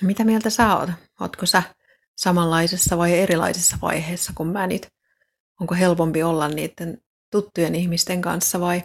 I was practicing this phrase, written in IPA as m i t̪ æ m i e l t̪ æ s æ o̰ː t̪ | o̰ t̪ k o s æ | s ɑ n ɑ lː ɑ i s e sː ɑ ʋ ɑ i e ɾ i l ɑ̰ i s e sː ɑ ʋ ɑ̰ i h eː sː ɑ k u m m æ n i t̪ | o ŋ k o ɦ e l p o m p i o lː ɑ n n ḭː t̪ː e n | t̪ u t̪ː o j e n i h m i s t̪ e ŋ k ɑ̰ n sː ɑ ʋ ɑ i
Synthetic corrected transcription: m i t̪ æ m i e l t̪ æ s æ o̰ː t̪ | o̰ t̪ k o s æ | s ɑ m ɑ lː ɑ i s e sː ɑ ʋ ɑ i e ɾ i l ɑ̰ i s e sː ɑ ʋ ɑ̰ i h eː sː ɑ k u m m æ n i t̪ | o ŋ k o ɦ e l p o m p i o lː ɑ n n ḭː t̪ː e n | t̪ u t̪ː u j e n i h m i s t̪ e ŋ k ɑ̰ n sː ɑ ʋ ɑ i